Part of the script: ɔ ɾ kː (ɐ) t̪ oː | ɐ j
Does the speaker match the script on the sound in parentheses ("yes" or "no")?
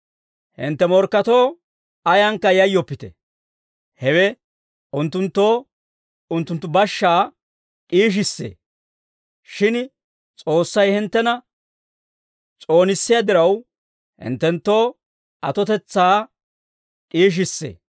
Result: yes